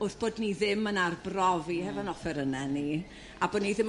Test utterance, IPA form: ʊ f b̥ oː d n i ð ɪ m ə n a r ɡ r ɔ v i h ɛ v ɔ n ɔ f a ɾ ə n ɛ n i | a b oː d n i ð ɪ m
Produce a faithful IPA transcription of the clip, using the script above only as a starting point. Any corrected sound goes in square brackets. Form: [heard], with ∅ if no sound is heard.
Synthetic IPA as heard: ʊ [θ] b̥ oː d n i ð ɪ m ə n a r [b] r ɔ v i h ɛ v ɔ n ɔ f [ɛ] ɾ ə n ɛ n i | a b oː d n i ð ɪ m